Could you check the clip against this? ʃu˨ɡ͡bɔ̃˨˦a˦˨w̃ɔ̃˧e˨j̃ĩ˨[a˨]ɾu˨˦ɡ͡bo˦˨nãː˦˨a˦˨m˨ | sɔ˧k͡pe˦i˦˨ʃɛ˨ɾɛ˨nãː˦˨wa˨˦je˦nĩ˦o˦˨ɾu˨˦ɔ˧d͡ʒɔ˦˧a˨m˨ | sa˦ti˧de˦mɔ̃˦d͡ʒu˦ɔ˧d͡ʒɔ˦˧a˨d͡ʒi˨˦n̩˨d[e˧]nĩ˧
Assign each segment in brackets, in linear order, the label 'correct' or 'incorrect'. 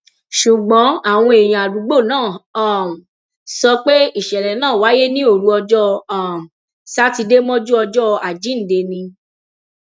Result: correct, correct

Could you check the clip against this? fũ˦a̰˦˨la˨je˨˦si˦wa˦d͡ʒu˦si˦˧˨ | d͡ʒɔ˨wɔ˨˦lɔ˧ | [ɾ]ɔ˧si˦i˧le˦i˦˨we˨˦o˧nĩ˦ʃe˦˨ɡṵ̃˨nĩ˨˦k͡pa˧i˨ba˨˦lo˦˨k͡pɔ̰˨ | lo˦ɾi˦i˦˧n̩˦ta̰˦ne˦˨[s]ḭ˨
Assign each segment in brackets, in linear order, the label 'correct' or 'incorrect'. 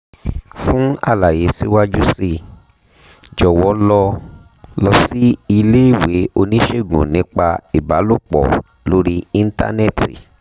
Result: incorrect, incorrect

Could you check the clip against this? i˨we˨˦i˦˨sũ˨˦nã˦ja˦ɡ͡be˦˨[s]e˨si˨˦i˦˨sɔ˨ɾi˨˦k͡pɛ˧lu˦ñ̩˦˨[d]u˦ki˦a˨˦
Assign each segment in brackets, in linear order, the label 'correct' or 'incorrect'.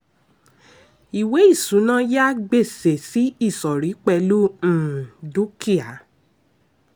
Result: correct, correct

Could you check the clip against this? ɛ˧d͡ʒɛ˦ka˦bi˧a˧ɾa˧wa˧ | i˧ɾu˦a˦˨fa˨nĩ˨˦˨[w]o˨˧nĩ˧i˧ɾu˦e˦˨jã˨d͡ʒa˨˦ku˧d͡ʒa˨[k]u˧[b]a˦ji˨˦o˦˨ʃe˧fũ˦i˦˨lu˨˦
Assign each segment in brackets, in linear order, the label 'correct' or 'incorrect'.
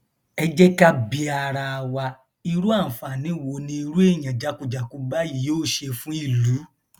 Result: correct, correct, correct

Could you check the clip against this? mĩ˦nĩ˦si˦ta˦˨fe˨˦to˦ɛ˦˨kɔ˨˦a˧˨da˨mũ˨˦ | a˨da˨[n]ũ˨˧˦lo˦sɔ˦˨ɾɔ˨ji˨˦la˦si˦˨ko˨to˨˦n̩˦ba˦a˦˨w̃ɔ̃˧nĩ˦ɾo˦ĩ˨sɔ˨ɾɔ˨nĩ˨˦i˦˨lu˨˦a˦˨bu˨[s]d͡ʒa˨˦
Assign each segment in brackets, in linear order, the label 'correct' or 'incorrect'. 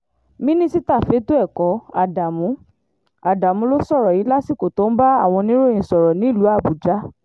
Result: incorrect, incorrect

